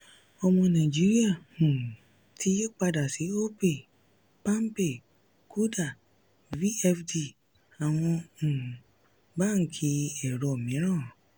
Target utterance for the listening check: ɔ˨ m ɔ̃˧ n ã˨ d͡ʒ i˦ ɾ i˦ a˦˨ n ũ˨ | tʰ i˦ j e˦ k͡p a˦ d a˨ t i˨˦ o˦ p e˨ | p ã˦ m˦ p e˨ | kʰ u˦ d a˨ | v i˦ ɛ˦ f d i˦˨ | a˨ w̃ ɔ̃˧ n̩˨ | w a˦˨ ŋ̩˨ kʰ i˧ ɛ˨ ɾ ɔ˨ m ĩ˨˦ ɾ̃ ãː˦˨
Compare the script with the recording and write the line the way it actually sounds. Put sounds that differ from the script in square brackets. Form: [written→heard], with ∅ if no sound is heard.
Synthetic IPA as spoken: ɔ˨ m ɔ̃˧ n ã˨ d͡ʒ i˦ ɾ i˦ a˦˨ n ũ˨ | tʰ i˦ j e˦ k͡p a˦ d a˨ [t→s] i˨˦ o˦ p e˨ | p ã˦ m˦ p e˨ | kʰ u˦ d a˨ | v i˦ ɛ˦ f d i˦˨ | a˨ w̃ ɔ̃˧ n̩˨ | [w→b] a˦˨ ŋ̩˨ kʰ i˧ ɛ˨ ɾ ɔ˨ m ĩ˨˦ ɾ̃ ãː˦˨